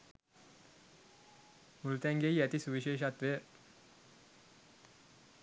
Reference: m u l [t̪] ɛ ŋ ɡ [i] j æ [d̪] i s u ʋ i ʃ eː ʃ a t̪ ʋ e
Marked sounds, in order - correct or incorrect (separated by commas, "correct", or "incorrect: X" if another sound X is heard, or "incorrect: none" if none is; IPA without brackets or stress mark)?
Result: correct, incorrect: e, incorrect: t̪